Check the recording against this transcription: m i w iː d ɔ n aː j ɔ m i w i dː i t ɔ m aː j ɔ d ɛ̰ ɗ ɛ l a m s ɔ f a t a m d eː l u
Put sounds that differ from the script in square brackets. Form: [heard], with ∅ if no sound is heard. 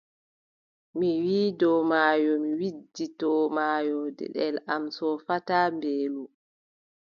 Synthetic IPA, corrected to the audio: m i w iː d ɔ [m] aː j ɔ m i w i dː i t ɔ m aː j ɔ d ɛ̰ ɗ ɛ l a m s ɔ f a t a m [b] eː l u